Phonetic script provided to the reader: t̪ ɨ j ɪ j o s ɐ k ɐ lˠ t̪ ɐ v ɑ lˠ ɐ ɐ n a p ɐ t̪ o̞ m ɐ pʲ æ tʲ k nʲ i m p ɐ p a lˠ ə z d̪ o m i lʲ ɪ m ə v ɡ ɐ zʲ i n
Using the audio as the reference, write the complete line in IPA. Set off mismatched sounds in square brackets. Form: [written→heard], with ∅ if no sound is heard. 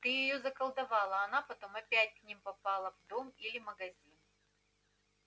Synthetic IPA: t̪ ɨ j ɪ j o [s→z] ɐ k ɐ lˠ [t̪→d̪] ɐ v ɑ lˠ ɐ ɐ n a p ɐ t̪ o̞ m ɐ pʲ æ tʲ k nʲ i m p ɐ p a lˠ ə [z→v] d̪ o m i lʲ ɪ m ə [v→∅] ɡ ɐ zʲ i n